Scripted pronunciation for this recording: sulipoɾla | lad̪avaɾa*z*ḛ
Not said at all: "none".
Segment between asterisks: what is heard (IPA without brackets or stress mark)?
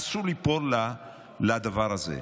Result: z